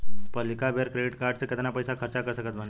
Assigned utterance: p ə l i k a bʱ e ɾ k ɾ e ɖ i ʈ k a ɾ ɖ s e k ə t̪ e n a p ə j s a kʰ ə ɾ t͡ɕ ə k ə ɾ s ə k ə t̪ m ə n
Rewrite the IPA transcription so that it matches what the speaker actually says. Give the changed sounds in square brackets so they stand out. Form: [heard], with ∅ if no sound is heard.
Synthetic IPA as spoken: p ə l i k a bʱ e ɾ k ɾ e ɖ i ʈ k a ɾ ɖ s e k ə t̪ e n a p ə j s a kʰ ə ɾ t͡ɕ [a] k ə ɾ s ə k ə t̪ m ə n